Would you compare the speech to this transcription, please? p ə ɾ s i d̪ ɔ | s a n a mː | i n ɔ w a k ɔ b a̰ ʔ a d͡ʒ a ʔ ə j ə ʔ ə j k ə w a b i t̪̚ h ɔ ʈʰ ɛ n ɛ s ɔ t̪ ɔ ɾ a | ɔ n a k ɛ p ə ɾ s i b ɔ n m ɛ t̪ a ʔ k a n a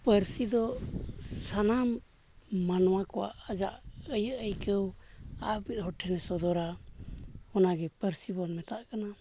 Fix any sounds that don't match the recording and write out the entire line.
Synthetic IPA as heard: p ə ɾ s i d̪ ɔ | s a n a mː | a n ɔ w a k ɔ w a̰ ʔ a d͡ʒ a ʔ ə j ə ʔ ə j k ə w a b i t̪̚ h ɔ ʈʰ ɛ n ɛ s ɔ d̪ ɔ ɾ a | ɔ n a ɡ ɛ p ə ɾ s i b ɔ n m ɛ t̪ a ʔ k a n a